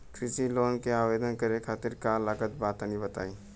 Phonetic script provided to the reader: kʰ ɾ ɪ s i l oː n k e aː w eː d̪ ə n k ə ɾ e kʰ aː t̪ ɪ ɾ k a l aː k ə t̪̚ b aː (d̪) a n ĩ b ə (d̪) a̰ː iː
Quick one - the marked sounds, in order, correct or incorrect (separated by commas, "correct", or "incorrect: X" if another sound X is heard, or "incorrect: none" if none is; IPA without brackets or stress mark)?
incorrect: t̪, incorrect: t̪